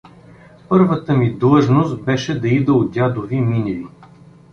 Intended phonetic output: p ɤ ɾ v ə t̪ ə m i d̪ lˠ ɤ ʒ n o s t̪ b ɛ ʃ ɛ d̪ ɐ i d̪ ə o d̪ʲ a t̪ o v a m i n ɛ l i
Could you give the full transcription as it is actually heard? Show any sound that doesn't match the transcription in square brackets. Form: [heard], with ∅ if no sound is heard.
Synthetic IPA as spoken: p ɤ ɾ v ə t̪ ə m i d̪ lˠ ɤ ʒ n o s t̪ b ɛ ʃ ɛ d̪ ɐ i d̪ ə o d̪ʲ a [d̪] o v [i] m i n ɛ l i